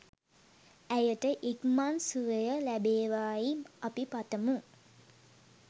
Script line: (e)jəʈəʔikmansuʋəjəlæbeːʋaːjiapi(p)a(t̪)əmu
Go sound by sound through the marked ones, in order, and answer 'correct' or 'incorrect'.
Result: incorrect: æ, correct, correct

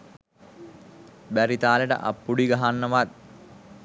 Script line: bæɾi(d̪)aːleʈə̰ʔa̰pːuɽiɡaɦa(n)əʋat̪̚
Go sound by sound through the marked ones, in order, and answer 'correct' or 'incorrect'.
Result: incorrect: t̪, incorrect: nː

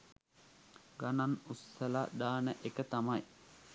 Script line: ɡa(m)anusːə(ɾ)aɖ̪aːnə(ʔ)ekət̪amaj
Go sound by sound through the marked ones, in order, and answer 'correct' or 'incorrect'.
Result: incorrect: n, incorrect: l, correct

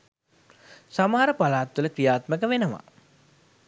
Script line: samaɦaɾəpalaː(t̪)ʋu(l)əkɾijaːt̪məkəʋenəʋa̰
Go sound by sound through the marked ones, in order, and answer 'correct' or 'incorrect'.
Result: correct, correct

